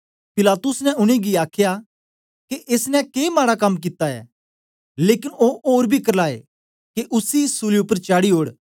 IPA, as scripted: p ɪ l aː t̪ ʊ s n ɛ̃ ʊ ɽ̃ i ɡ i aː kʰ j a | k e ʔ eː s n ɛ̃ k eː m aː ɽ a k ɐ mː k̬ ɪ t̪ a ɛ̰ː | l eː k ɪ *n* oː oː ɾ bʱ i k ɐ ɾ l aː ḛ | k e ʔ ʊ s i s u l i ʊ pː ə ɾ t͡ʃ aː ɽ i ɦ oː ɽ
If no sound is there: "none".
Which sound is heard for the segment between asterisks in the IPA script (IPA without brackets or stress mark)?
n